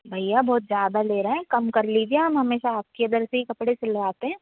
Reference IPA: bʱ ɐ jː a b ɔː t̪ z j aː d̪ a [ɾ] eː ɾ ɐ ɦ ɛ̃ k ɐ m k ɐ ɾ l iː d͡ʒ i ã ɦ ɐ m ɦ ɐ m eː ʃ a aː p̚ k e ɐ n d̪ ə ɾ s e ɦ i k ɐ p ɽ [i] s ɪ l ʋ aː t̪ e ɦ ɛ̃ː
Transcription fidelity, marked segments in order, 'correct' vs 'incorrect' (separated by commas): incorrect, incorrect